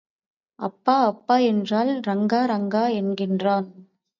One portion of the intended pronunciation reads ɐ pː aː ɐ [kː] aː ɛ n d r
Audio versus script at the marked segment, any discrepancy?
yes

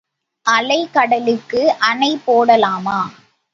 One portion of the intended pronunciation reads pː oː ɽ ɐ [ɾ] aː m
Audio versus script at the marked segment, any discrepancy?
yes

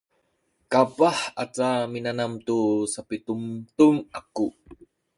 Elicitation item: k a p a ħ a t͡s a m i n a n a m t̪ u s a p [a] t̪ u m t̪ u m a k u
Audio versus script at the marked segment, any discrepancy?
yes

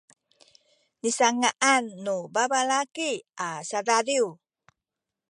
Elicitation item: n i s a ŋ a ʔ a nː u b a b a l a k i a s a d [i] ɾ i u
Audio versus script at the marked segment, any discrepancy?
yes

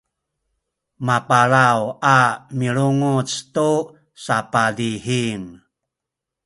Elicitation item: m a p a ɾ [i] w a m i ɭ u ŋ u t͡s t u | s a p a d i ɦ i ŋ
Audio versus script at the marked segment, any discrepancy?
yes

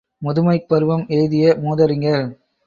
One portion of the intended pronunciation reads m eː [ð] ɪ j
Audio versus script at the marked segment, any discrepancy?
no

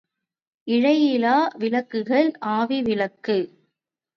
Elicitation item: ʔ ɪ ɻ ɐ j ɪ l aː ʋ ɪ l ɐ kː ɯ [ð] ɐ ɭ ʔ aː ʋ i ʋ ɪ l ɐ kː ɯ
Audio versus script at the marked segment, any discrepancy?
yes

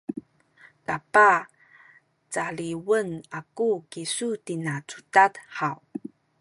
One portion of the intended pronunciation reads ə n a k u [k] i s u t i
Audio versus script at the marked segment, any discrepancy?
no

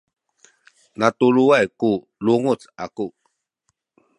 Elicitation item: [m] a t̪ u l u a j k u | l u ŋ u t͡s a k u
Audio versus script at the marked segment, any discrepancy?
yes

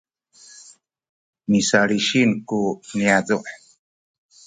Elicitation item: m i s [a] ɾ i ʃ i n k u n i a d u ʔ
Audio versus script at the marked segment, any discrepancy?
no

